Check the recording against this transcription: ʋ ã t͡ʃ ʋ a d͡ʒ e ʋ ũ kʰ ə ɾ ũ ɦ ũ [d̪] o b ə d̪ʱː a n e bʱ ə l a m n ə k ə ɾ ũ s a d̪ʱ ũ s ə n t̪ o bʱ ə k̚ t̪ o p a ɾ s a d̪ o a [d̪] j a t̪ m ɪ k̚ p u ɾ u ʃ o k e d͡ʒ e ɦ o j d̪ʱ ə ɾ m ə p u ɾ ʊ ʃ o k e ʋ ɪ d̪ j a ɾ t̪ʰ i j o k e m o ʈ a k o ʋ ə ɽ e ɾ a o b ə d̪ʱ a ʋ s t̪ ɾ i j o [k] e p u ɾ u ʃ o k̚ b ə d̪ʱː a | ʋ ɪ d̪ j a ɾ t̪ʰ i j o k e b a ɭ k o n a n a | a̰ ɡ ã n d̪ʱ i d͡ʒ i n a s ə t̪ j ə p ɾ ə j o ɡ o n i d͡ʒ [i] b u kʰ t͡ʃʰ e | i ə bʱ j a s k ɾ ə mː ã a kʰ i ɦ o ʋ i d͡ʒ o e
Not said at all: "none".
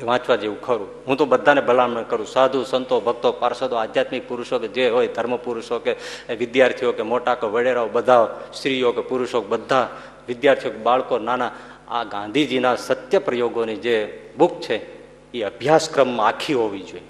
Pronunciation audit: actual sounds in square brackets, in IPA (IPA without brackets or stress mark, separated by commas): t̪, d̪, k, e